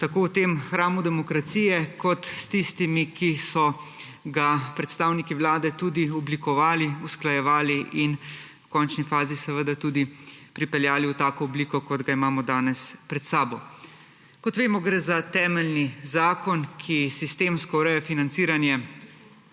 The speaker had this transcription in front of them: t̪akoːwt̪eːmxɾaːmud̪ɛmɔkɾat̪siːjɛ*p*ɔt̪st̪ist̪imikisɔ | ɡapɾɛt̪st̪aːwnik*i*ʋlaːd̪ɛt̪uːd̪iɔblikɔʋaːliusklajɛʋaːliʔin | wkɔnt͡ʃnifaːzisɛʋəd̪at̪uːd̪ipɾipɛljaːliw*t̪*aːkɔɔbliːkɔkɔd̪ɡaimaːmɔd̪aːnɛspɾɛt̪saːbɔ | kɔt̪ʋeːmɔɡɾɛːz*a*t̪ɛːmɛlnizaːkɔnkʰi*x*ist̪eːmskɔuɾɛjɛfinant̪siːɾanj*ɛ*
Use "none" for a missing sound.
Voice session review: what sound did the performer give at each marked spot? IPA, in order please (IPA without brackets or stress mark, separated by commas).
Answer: k, i, t̪, a, s, ɛ